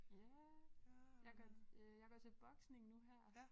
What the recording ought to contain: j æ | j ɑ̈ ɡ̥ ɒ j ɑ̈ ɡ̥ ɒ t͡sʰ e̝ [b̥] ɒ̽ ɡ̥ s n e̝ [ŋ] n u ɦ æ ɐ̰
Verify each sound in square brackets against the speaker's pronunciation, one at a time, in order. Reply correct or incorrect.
correct, correct

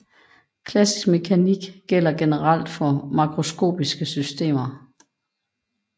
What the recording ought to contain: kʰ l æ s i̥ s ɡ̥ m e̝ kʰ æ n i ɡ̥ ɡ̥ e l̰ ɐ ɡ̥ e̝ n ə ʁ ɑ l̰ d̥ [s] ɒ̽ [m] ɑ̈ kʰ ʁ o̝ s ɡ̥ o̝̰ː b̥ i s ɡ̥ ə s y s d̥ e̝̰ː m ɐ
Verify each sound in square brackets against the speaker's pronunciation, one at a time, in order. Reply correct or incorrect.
incorrect: f, correct

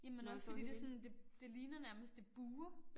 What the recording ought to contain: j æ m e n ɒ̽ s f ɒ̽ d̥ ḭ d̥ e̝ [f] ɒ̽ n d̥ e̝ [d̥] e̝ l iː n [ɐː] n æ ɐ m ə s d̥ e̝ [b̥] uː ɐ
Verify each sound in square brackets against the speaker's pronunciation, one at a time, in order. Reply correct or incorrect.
incorrect: s, correct, incorrect: ɐ, correct

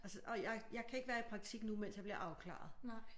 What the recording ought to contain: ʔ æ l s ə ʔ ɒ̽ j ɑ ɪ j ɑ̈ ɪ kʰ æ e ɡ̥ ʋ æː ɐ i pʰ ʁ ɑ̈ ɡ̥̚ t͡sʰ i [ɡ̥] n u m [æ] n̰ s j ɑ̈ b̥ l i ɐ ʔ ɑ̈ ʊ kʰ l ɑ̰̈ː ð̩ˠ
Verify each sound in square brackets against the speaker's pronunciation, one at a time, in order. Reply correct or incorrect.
correct, incorrect: e

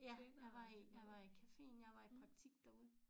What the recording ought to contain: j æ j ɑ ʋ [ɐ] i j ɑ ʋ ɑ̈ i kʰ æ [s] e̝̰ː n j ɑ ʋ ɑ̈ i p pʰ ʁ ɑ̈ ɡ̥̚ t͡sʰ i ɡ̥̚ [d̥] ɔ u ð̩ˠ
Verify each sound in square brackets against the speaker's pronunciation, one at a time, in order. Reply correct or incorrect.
incorrect: ɑ, incorrect: f, correct

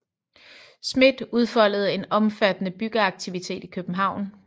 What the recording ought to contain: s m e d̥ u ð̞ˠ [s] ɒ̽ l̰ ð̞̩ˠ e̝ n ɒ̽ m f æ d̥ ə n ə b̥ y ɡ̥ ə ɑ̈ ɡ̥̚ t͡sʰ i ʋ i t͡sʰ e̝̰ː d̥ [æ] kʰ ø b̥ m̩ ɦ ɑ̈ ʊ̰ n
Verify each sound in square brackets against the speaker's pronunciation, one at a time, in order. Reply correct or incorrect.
incorrect: f, incorrect: i

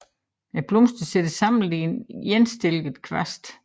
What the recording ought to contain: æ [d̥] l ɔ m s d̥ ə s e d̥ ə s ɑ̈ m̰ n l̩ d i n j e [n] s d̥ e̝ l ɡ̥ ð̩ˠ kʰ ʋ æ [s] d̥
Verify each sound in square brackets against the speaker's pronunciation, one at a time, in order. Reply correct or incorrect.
incorrect: b̥, correct, correct

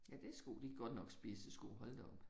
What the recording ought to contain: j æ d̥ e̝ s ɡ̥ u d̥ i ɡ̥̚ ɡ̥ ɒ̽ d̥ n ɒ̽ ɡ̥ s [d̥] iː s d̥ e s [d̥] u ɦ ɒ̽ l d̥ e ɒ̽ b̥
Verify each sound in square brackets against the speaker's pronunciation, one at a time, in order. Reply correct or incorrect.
incorrect: b̥, incorrect: ɡ̥

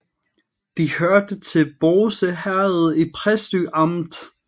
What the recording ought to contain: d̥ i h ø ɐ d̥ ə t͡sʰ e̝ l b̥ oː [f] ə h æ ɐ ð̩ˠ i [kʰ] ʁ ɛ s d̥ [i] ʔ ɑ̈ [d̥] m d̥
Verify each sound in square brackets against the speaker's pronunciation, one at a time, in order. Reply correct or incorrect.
incorrect: s, incorrect: pʰ, incorrect: y, incorrect: none

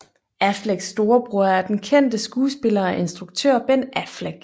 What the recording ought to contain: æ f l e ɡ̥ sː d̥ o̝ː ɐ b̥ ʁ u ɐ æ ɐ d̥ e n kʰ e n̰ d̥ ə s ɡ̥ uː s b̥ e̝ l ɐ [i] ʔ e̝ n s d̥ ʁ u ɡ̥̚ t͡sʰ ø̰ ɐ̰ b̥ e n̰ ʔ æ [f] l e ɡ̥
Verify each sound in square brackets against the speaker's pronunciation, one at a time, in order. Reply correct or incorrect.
incorrect: æ, correct

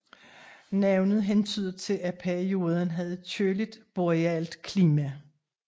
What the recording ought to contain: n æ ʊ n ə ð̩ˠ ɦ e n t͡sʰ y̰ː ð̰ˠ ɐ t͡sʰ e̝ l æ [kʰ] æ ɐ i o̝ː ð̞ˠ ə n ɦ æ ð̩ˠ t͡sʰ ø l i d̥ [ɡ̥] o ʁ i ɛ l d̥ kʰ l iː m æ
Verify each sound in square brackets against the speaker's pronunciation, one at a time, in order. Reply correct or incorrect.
incorrect: pʰ, incorrect: b̥

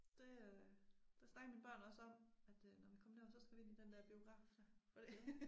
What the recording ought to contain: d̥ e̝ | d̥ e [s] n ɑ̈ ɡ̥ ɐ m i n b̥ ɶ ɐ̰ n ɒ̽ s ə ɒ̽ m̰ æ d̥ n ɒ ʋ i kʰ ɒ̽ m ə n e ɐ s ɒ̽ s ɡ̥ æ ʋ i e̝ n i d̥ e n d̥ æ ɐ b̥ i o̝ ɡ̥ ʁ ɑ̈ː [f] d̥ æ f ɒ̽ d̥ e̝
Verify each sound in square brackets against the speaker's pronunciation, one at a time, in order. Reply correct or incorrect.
correct, correct

